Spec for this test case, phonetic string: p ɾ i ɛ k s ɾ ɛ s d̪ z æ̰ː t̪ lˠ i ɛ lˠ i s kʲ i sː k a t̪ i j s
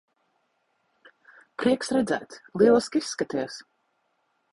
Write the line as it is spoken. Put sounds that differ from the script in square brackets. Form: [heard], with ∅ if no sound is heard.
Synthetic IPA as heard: p ɾ i ɛ k s ɾ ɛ [∅] d̪ z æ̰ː t̪ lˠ i ɛ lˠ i s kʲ i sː k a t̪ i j s